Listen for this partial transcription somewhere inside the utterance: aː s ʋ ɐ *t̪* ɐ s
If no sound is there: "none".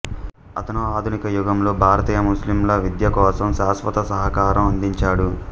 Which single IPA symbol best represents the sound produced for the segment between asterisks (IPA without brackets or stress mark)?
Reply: t̪